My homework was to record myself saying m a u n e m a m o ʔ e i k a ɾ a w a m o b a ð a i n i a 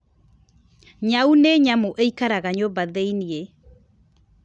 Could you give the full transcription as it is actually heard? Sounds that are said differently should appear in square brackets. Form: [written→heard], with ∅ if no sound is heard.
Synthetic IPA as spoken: [m→ɲ] a u n e [m→ɲ] a m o ʔ e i k a ɾ a [w→ɣ] a [m→ɲ] o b a ð [a→e] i n i [a→e]